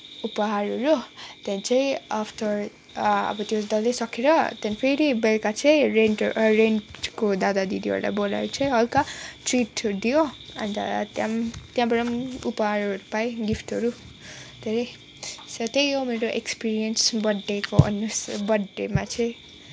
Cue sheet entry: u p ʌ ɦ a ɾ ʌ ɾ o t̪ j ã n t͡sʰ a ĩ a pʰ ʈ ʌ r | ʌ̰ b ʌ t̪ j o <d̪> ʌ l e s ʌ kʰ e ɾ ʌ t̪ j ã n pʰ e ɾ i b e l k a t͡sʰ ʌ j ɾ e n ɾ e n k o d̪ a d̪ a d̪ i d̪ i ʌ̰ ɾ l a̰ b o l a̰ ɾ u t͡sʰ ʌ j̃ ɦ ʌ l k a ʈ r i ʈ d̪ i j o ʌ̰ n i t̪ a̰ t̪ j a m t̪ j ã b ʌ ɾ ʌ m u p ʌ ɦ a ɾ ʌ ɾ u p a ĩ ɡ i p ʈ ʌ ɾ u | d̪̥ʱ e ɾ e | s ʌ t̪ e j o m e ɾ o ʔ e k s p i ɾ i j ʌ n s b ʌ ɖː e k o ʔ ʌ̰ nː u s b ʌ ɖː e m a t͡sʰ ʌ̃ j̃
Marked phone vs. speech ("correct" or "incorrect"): correct